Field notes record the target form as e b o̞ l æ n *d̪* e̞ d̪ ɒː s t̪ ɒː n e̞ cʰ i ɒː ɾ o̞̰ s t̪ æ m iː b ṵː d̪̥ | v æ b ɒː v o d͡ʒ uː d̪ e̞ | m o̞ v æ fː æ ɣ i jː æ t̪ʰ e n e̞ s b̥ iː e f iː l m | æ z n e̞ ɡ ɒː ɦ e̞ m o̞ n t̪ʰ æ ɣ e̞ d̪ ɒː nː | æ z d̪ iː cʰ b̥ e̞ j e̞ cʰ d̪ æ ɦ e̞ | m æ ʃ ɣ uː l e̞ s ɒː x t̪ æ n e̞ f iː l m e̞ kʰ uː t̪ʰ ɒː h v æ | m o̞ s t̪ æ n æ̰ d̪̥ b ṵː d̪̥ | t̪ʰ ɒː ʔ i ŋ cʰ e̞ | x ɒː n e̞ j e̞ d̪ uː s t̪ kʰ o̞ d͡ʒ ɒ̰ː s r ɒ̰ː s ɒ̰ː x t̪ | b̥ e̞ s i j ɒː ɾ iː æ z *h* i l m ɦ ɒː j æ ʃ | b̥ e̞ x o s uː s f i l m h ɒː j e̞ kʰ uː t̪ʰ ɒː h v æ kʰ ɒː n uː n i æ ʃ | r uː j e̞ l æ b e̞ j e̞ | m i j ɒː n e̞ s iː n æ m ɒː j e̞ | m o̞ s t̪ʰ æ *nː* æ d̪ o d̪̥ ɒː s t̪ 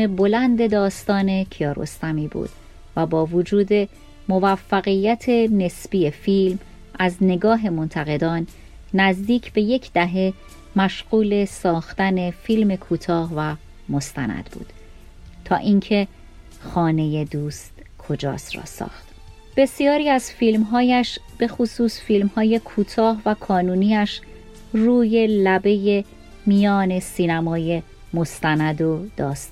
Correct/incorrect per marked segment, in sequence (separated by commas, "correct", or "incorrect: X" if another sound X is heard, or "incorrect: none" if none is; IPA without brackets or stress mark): correct, incorrect: f, incorrect: n